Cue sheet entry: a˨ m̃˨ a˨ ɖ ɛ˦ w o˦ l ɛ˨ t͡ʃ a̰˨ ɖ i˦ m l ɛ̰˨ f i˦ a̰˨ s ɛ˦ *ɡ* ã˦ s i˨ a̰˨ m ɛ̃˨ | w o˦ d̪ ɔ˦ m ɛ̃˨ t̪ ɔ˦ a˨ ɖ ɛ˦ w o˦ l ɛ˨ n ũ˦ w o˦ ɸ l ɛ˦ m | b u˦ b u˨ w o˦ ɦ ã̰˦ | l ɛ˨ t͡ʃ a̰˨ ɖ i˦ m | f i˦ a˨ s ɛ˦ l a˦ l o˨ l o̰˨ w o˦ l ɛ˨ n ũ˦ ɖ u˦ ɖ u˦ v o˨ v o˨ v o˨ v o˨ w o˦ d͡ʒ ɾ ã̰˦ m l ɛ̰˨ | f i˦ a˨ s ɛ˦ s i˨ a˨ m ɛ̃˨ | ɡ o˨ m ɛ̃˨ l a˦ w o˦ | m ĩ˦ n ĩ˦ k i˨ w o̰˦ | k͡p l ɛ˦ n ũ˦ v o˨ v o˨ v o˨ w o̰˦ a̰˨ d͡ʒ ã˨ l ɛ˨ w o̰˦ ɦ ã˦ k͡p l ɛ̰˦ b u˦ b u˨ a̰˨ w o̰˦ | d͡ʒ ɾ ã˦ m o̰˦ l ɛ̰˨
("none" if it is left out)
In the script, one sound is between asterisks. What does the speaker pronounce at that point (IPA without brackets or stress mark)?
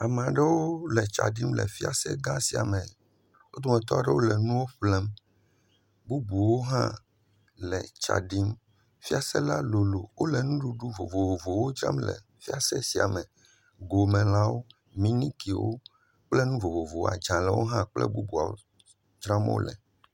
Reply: ɡ